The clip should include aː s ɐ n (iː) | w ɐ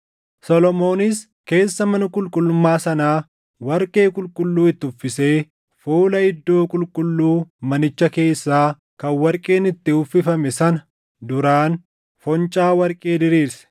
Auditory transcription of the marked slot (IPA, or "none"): aː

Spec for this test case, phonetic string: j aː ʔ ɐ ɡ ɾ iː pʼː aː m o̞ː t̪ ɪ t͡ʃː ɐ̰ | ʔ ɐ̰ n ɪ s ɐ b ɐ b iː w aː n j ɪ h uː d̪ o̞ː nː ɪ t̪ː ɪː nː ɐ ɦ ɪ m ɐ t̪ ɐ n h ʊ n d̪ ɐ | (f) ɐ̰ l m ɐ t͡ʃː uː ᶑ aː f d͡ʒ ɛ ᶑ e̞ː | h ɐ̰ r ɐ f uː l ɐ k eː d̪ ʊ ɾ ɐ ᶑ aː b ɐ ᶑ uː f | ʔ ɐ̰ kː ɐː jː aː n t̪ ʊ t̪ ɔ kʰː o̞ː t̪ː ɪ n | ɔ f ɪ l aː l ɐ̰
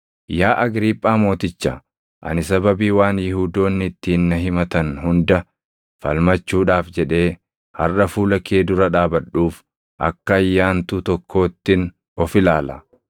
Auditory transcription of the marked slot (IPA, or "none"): f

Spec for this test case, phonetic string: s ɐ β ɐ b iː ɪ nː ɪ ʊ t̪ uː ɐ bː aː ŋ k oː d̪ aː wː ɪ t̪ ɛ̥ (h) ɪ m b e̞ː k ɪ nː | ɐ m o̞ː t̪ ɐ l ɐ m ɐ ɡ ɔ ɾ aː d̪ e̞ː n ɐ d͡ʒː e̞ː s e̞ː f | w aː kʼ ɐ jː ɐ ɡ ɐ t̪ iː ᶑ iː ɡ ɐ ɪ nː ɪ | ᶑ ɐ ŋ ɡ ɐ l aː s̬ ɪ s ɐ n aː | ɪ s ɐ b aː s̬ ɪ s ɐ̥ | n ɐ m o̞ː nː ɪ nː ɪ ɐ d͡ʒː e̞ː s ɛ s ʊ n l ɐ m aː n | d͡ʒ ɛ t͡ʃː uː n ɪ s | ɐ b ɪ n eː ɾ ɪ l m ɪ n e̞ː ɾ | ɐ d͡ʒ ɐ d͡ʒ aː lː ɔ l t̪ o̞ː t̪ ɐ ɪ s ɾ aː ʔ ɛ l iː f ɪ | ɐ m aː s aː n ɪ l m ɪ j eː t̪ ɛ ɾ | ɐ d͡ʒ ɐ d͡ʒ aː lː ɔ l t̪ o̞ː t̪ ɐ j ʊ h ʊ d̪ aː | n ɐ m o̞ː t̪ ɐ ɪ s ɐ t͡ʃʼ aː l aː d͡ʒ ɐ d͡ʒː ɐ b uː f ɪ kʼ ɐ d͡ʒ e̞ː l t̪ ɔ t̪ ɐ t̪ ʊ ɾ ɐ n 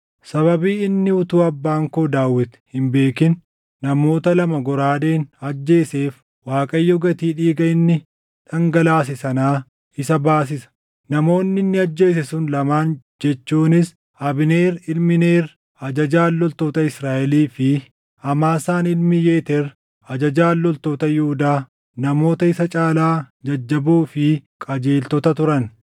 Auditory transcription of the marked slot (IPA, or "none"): h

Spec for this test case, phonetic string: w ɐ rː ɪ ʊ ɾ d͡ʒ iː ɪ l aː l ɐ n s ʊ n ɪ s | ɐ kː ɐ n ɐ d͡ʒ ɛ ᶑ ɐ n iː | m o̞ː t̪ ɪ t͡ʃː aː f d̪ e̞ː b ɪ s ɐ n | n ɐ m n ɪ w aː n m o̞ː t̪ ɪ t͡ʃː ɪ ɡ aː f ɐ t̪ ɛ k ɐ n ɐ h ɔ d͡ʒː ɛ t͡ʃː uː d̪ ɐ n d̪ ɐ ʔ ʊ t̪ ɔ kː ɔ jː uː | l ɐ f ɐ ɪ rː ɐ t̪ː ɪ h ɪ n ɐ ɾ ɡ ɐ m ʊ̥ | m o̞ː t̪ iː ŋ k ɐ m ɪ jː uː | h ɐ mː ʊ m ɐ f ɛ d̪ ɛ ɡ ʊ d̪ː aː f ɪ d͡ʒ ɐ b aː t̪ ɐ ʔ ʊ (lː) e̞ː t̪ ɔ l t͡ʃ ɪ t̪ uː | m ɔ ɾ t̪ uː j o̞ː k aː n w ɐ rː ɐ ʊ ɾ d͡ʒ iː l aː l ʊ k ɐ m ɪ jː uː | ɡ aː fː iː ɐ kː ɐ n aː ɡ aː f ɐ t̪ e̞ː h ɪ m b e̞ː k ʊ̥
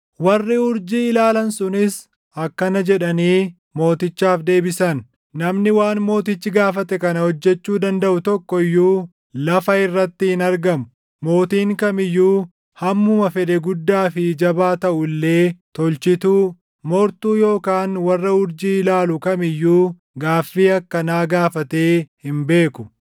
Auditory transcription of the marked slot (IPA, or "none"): lː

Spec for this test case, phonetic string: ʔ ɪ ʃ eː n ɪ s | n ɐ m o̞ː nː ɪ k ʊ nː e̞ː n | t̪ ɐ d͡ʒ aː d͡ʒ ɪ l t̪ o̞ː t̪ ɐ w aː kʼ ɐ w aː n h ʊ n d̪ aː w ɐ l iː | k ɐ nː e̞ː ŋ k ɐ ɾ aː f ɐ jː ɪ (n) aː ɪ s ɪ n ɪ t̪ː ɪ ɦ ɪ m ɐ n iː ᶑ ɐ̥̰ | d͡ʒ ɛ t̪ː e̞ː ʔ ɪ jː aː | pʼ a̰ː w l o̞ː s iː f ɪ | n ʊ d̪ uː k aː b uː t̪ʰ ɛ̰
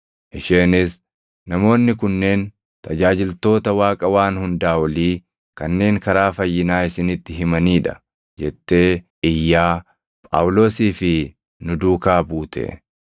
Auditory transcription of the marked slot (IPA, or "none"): n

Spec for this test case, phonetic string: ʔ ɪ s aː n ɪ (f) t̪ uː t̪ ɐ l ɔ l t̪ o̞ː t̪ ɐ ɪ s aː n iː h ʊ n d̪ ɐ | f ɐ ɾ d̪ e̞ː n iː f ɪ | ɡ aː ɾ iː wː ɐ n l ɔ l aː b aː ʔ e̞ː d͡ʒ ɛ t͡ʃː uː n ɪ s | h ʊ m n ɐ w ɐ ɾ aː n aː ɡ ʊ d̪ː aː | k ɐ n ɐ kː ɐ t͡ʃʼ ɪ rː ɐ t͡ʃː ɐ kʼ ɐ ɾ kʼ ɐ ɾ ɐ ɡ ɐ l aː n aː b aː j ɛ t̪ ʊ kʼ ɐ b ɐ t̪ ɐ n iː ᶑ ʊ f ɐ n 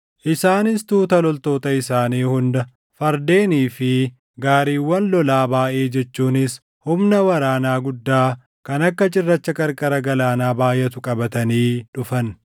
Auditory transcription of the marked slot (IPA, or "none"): s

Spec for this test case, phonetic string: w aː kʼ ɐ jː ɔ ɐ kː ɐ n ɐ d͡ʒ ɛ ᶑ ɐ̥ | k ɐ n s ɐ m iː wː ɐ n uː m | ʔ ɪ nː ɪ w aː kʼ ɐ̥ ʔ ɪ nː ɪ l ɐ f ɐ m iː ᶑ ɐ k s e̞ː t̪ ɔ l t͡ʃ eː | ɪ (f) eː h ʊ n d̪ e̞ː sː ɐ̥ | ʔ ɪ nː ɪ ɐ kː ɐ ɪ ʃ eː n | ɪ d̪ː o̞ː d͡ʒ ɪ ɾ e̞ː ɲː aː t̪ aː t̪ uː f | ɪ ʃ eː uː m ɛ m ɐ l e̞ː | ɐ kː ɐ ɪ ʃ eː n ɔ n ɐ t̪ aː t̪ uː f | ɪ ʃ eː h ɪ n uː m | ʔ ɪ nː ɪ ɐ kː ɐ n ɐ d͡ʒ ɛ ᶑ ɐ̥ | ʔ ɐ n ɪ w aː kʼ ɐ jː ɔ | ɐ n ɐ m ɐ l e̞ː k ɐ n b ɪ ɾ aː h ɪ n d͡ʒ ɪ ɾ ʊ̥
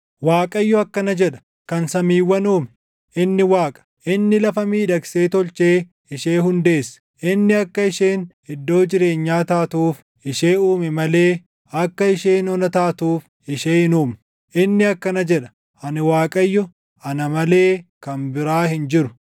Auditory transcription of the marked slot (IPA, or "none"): ʃ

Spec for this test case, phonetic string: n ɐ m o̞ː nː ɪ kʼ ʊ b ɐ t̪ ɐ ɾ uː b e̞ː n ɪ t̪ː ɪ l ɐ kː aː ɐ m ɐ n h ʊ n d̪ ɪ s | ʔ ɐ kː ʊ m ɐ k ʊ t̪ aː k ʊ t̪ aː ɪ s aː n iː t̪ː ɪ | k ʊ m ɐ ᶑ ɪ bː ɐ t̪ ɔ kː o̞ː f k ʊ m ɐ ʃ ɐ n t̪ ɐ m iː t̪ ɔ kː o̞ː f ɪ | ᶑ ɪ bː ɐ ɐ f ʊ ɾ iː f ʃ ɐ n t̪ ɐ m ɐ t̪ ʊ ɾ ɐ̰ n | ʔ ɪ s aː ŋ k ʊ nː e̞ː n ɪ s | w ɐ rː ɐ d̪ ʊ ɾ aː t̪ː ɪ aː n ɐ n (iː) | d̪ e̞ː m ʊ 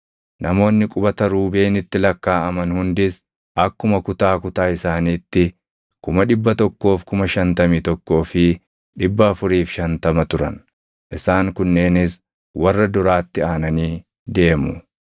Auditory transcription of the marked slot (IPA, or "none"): iː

